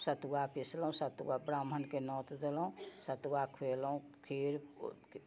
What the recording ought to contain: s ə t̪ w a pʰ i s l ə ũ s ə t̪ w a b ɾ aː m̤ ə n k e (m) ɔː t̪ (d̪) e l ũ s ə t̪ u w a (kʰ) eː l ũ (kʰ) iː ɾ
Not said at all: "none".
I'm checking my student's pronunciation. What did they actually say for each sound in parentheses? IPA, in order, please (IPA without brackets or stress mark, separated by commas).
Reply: n, d̪, kʰ, kʰ